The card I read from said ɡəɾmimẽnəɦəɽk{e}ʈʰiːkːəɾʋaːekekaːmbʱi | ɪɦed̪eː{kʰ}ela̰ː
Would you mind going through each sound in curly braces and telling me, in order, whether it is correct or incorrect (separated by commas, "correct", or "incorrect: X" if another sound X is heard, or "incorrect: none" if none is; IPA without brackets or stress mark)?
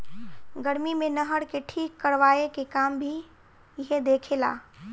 correct, correct